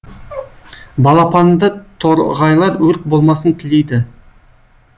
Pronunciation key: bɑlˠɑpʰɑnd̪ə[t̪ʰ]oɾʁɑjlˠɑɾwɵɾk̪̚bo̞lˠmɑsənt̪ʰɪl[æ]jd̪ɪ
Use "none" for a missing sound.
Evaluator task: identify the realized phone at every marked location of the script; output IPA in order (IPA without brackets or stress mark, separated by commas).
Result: t̪ʰ, e